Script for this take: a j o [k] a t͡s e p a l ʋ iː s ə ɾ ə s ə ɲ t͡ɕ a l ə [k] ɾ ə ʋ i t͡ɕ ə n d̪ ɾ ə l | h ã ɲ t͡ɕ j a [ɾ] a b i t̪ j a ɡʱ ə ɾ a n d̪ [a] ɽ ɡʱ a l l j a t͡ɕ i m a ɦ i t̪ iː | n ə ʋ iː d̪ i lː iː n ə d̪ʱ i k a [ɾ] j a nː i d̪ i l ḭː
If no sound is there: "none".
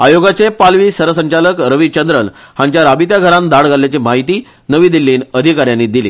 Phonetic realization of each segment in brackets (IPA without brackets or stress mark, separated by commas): ɡ, k, ɾ, a, ɾ